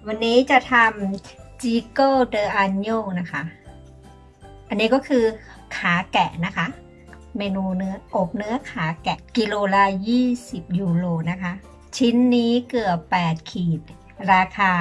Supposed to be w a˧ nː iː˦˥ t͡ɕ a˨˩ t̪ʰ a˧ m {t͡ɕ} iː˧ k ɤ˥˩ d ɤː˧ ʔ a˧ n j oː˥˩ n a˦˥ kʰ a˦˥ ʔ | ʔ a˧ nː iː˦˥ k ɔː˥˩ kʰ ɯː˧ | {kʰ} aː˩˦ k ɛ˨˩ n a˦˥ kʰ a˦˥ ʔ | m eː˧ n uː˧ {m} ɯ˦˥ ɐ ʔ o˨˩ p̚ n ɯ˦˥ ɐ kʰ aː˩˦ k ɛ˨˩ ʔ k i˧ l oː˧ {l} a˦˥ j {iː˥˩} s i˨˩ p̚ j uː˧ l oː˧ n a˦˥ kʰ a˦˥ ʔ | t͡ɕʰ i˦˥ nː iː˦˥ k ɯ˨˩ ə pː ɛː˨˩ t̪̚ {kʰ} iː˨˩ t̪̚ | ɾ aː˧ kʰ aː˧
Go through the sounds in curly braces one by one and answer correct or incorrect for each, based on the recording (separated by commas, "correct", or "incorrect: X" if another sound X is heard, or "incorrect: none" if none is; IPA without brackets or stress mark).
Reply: correct, correct, incorrect: n, correct, correct, correct